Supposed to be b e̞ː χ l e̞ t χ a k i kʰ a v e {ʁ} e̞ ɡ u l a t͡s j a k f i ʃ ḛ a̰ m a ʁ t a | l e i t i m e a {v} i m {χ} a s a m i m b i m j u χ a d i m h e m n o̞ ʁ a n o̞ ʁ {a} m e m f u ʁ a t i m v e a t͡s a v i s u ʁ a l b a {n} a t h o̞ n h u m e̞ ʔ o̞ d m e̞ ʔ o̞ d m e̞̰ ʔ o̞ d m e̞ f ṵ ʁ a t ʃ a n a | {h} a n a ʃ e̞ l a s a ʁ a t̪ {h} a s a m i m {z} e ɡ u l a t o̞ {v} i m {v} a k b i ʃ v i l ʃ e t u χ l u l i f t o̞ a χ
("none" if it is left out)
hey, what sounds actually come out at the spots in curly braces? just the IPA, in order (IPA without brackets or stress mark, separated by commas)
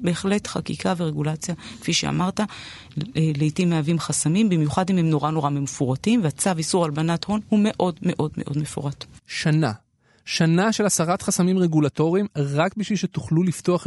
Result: ʁ, v, χ, a, n, ʃ, χ, ʁ, ʁ, ʁ